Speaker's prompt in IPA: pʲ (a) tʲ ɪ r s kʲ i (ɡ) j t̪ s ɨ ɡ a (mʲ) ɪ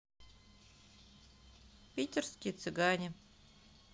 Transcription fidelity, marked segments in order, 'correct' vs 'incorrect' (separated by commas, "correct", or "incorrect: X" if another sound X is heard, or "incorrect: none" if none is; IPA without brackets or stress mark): incorrect: i, incorrect: none, incorrect: nʲ